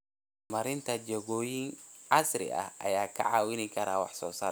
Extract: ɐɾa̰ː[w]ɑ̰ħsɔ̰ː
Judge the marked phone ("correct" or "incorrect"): correct